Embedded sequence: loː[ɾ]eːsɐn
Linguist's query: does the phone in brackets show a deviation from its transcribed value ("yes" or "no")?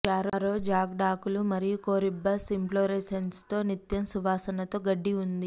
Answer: no